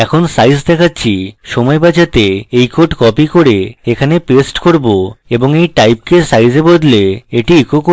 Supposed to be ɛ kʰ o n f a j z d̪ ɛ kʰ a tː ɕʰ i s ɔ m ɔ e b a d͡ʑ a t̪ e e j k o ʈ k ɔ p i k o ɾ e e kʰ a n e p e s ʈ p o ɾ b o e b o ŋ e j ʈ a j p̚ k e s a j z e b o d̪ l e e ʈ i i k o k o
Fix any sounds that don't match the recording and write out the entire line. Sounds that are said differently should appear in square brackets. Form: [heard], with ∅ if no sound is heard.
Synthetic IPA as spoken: ɛ kʰ o n [s] a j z d̪ ɛ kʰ a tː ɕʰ i [ʃ] ɔ m ɔ e b a d͡ʑ a t̪ e e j k o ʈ k ɔ p i k o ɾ e e kʰ a n e p e s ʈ [k] o ɾ b o e b o ŋ e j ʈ a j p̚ k e s a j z e b o d̪ l e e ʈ i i k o k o